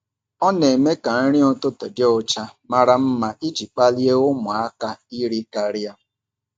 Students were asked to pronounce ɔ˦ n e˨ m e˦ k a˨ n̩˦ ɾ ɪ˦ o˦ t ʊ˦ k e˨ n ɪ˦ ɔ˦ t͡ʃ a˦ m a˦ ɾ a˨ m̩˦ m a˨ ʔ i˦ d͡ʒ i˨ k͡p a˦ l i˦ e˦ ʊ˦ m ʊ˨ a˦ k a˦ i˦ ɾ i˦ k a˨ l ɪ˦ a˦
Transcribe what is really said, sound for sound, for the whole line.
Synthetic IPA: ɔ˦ n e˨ m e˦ k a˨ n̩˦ ɾ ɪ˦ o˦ t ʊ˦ t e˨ d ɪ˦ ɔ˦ t͡ʃ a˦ m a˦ ɾ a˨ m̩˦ m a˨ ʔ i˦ d͡ʒ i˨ k͡p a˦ l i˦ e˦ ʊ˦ m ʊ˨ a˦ k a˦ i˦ ɾ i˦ k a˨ ɾ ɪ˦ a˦